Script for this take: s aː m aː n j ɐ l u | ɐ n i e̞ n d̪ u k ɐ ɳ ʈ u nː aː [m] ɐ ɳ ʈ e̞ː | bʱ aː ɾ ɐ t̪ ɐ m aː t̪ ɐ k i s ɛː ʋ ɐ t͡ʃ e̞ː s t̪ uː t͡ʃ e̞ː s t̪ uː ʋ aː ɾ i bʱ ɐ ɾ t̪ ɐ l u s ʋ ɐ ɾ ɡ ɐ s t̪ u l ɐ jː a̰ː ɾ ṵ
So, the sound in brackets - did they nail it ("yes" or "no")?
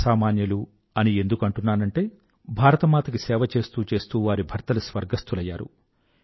no